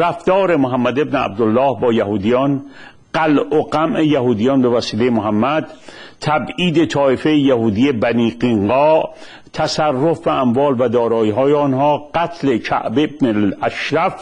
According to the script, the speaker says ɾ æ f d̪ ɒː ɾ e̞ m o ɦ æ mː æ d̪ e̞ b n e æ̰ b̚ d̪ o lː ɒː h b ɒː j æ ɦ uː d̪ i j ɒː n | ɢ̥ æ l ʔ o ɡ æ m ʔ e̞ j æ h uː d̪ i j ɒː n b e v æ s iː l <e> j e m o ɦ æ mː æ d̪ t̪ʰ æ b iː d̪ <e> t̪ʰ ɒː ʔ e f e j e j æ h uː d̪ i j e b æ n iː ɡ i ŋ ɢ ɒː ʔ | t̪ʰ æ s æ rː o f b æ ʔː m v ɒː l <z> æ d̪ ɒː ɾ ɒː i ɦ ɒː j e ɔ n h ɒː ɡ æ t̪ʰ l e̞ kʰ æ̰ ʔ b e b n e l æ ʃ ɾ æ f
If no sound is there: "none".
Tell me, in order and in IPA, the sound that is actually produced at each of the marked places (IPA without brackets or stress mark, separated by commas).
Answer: e, e, v